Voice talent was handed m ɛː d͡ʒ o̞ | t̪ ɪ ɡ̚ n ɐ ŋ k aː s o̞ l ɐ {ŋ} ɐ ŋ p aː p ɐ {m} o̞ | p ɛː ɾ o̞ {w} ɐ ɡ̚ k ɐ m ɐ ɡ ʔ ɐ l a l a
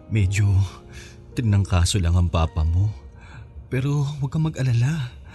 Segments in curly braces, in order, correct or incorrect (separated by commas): correct, correct, correct